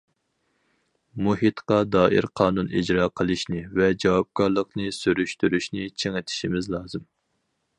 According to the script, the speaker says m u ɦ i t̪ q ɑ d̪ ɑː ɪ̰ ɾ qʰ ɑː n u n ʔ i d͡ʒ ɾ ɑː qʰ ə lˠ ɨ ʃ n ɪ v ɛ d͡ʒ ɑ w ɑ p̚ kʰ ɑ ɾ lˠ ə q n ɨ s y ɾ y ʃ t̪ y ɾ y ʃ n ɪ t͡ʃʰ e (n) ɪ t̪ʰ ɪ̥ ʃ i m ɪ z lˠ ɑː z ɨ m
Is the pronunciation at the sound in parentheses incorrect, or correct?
incorrect